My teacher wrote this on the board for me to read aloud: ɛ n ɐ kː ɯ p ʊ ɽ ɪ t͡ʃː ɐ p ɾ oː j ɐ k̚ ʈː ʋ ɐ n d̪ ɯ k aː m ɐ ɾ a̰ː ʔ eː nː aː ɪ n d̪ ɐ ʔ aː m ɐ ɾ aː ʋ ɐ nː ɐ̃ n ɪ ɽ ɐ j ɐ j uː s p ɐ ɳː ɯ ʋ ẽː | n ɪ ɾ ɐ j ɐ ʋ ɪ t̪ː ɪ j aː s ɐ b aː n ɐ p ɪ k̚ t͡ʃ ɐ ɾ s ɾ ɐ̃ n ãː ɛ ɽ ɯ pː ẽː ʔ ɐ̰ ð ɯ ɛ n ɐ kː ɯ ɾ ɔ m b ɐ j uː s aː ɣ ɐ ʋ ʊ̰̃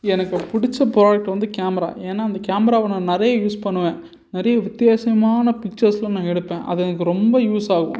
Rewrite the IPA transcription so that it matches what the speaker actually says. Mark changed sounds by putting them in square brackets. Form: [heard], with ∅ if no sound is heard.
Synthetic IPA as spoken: ɛ n ɐ kː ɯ p ʊ ɽ ɪ t͡ʃː ɐ p ɾ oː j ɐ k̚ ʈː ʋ ɐ n d̪ ɯ k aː m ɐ ɾ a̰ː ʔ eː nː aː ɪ n d̪ ɐ [k] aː m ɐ ɾ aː ʋ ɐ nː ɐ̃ n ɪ [ɾ] ɐ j ɐ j uː s p ɐ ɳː ɯ ʋ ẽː | n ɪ ɾ ɐ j ɐ ʋ ɪ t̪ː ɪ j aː s ɐ [m] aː n ɐ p ɪ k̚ t͡ʃ ɐ ɾ s [l] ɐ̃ n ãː ɛ ɽ ɯ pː ẽː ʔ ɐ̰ ð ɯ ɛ n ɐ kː ɯ ɾ ɔ m b ɐ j uː s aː ɣ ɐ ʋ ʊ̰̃